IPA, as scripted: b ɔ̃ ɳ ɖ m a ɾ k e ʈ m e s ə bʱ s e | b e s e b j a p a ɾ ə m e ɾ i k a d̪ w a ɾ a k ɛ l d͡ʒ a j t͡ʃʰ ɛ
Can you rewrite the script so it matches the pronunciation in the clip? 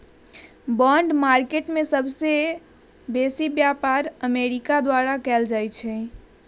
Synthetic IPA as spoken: b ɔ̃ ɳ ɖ m a ɾ k e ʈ m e s ə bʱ s e | b e s i b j a p a ɾ ə m e ɾ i k a d̪ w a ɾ a k ɛ l d͡ʒ a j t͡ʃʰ ɛ